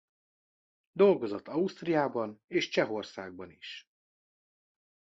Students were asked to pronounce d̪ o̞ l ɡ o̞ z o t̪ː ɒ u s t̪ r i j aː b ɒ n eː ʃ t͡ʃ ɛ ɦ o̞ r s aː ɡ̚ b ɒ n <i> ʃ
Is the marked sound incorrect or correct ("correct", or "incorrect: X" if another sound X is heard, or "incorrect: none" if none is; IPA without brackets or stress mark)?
correct